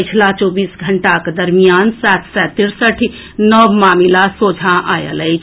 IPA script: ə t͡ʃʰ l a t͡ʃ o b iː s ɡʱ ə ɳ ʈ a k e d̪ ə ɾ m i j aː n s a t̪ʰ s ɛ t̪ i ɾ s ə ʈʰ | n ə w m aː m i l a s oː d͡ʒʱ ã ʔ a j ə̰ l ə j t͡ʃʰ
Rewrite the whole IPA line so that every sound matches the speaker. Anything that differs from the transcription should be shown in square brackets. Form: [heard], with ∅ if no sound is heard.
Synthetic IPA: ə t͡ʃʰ l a t͡ʃ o b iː s ɡʱ ə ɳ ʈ a k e d̪ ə ɾ m i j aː n s a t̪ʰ s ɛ t̪ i ɾ s ə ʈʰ | n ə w m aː m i l a s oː d͡ʒʱ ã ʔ a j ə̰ l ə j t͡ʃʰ